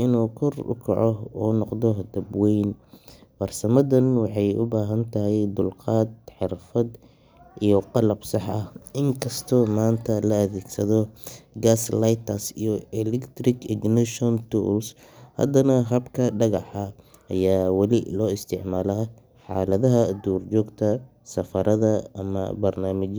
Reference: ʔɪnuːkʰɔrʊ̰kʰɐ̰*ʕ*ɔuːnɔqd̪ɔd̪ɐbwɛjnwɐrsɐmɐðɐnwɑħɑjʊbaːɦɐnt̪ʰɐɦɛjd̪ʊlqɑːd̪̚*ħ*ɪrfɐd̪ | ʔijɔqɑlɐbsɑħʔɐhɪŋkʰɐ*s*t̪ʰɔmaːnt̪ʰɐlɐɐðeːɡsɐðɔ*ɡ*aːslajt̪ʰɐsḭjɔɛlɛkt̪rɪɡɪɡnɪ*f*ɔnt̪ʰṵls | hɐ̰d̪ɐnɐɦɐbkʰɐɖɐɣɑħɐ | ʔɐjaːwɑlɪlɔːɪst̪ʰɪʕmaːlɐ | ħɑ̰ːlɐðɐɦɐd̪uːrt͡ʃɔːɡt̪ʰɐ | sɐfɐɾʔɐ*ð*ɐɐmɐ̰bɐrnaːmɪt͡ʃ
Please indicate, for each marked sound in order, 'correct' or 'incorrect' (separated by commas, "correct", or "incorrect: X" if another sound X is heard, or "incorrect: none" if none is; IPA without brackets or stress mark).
correct, correct, correct, correct, incorrect: ʃ, correct